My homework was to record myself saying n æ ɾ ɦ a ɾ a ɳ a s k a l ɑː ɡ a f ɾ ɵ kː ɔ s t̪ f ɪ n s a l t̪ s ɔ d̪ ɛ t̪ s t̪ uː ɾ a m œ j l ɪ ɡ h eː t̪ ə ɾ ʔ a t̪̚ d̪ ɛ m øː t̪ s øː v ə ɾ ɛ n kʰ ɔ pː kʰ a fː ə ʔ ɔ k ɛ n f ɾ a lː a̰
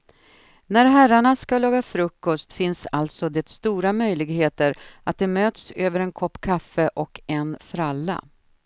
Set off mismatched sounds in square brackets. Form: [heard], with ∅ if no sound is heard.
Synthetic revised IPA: n æ ɾ ɦ [æ] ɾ a ɳ a s k a l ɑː ɡ a f ɾ ɵ kː ɔ s t̪ f ɪ n s a l t̪ s ɔ d̪ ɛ t̪ s t̪ uː ɾ a m œ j l ɪ ɡ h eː t̪ ə ɾ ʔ a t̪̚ d̪ ɛ m øː t̪ s øː v ə ɾ ɛ n kʰ ɔ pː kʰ a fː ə ʔ ɔ k ɛ n f ɾ a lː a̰